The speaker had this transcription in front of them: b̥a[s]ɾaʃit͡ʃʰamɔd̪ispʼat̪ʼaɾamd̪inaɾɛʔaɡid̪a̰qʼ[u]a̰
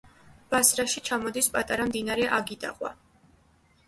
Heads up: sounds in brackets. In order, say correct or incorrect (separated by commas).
correct, incorrect